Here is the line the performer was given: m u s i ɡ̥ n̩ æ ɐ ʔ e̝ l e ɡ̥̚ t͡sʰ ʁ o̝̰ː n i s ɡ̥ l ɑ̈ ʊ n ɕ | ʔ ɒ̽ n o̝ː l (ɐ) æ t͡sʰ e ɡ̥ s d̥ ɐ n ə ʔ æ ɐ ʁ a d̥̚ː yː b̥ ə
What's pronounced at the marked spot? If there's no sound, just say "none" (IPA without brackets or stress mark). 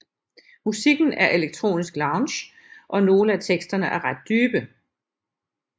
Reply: ə